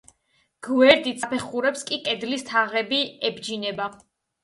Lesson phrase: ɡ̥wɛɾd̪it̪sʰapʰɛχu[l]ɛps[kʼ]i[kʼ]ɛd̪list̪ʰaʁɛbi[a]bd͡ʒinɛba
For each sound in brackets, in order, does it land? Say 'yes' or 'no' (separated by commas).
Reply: no, yes, yes, no